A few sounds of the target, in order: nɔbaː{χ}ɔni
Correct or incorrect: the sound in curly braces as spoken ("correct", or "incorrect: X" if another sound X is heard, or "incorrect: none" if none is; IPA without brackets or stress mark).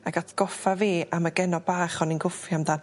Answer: correct